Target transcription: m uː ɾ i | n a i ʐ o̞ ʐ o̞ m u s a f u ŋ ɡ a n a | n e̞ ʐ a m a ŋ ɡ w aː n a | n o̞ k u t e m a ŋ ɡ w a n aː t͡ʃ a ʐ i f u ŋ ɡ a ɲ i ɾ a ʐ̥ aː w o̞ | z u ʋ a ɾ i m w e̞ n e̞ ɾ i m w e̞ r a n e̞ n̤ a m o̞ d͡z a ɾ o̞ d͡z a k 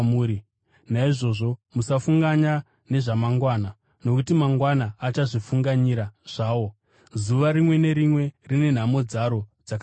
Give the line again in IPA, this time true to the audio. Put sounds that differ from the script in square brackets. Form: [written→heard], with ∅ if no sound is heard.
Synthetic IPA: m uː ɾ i | n a i ʐ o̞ ʐ o̞ m u s a f u ŋ ɡ a [n→ɲ] a | n e̞ ʐ a m a ŋ ɡ w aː n a | n o̞ k u t [e→i] m a ŋ ɡ w a n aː t͡ʃ a ʐ i f u ŋ ɡ a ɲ i ɾ a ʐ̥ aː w o̞ | z u ʋ a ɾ i m w e̞ n e̞ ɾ i m w e̞ r [a→i] n e̞ n̤ a m o̞ d͡z a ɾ o̞ d͡z a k